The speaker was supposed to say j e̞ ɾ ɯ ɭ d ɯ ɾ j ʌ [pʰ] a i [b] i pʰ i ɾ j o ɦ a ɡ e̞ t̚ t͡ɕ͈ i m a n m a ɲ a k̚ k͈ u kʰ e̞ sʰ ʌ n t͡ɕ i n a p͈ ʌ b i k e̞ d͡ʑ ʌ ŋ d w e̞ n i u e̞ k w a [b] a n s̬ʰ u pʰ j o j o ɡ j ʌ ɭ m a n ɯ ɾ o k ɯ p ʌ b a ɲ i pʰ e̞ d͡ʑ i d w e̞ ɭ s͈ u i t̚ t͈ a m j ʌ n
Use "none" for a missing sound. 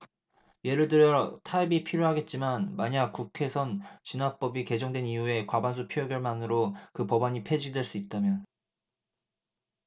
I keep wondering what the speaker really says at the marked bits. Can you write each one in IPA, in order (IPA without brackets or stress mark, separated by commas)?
tʰ, b, b